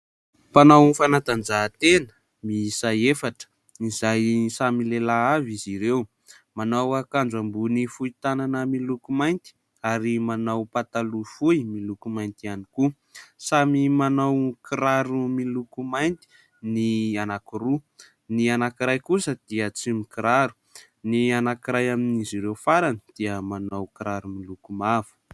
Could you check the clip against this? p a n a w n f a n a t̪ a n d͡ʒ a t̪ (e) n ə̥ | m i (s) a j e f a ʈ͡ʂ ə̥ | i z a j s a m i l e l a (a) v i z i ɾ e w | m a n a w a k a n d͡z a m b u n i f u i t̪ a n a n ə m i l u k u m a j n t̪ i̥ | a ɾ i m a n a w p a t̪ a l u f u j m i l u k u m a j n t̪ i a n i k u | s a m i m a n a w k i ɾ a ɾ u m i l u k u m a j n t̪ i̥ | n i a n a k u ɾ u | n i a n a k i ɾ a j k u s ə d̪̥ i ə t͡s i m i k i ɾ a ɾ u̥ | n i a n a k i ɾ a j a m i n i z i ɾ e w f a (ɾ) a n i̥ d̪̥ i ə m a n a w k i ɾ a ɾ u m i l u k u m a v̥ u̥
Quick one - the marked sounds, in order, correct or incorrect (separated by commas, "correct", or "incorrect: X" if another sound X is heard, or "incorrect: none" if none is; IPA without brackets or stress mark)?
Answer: correct, correct, correct, correct